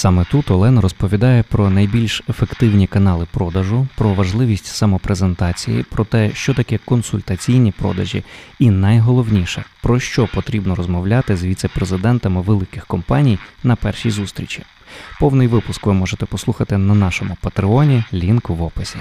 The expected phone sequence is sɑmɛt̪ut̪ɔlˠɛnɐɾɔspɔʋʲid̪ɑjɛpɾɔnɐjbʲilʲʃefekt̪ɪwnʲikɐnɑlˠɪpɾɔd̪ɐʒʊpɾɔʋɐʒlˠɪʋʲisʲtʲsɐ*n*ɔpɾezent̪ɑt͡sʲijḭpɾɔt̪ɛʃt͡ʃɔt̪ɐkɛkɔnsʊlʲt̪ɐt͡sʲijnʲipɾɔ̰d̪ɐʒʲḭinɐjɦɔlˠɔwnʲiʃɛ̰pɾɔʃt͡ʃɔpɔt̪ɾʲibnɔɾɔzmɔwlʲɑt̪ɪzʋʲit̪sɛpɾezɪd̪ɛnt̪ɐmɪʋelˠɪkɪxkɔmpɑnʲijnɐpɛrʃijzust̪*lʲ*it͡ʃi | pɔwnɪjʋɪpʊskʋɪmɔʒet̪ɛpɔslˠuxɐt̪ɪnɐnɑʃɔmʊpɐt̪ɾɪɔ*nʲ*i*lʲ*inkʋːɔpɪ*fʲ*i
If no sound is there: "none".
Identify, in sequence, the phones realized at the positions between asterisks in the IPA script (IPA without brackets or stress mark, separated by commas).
m, ɾʲ, nʲ, lʲ, sʲ